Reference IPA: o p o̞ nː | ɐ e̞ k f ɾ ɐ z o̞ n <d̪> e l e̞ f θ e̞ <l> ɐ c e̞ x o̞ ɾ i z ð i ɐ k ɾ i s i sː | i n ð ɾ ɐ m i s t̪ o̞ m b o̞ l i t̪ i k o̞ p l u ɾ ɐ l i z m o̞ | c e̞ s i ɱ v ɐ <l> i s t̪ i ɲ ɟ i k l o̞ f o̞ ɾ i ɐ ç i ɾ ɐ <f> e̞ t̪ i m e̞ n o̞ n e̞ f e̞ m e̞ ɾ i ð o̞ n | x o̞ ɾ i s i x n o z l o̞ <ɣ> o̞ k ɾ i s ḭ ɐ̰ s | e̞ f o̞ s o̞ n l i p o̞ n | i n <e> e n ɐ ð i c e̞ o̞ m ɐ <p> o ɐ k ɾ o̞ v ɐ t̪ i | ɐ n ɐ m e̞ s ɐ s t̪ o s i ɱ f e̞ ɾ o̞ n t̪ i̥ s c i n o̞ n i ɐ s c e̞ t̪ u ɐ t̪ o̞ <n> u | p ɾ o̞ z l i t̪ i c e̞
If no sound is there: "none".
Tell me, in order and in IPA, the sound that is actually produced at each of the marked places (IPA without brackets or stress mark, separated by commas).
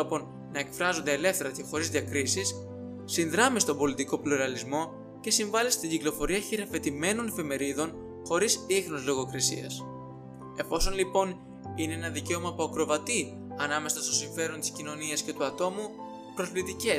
d̪, ɾ, l, f, ɣ, e, p, m